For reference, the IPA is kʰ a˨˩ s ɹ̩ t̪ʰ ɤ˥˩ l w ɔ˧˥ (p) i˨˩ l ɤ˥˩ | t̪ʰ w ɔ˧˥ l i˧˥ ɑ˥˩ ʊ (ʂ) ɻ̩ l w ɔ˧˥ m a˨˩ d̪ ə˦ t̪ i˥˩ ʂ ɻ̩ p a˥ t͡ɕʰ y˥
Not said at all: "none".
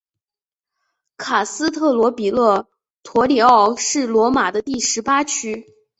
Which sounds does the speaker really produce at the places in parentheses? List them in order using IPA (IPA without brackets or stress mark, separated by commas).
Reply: p, ʂ